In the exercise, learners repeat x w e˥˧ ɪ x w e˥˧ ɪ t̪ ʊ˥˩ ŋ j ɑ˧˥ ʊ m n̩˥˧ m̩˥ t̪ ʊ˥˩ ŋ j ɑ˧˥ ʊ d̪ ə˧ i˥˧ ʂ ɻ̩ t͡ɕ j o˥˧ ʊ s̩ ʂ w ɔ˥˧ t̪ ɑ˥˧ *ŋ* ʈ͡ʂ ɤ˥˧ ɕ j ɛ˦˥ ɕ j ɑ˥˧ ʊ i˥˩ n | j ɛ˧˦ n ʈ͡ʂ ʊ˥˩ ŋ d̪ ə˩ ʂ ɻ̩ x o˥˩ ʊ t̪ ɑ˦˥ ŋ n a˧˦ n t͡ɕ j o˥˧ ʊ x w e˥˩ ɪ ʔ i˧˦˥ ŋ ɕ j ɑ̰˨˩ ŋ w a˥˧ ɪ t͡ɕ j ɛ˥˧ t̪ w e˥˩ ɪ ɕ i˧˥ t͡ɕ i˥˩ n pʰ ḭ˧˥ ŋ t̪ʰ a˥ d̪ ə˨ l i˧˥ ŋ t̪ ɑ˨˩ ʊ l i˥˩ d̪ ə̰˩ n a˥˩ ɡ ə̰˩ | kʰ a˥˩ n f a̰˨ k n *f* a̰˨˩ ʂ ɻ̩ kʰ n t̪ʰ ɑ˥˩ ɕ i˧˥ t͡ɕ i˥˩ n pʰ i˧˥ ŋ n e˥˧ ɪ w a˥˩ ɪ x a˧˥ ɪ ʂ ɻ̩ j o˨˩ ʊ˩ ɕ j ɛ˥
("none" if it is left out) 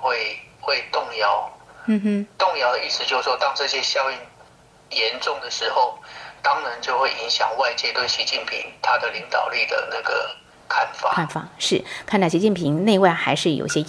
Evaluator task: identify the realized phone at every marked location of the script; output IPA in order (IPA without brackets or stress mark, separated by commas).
ŋ, f